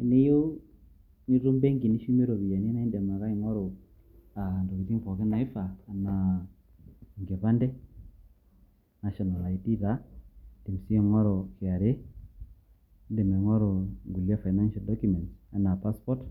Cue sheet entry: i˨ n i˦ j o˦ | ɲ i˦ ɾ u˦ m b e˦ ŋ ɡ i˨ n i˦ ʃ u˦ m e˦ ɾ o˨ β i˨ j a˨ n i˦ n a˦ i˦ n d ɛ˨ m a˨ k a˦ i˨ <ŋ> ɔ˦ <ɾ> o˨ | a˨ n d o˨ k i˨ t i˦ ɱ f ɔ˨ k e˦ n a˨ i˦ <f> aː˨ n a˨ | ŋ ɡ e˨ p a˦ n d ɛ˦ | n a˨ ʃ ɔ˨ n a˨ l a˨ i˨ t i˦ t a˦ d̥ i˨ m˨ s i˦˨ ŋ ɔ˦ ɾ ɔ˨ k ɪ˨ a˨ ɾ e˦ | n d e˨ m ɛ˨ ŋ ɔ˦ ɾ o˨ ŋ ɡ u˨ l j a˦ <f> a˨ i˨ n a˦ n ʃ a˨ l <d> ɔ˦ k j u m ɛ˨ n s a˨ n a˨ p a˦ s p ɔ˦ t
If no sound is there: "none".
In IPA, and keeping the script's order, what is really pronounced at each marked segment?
ŋ, ɾ, f, f, d

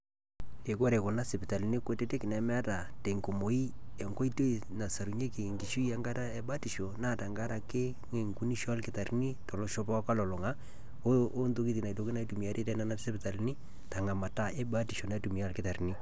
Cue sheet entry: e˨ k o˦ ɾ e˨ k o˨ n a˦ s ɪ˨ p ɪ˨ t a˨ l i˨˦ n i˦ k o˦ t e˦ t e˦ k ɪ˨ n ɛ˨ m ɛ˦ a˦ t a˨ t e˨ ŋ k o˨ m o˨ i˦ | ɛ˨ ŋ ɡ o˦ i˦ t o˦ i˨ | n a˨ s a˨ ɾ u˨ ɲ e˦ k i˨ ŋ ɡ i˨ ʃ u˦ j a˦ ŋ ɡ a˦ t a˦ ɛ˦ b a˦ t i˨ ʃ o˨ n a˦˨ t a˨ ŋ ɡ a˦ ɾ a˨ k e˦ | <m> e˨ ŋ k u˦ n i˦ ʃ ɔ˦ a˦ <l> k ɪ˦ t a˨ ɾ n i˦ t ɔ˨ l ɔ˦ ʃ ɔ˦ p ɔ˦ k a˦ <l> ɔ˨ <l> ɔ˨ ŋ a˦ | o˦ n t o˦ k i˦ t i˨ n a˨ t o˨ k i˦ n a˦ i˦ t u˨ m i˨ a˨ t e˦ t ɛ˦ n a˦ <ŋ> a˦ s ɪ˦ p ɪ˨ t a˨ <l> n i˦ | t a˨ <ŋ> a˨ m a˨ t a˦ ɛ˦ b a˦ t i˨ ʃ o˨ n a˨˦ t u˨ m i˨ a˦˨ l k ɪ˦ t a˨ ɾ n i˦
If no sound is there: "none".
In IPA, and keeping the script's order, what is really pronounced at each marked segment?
ŋ, l, l, l, n, l, ŋ

